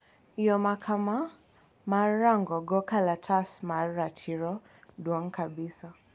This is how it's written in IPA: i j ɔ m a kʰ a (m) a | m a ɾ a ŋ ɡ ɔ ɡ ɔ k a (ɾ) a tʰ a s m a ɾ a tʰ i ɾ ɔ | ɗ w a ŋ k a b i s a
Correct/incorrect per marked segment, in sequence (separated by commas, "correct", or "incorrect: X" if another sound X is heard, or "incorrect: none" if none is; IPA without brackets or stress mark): correct, incorrect: l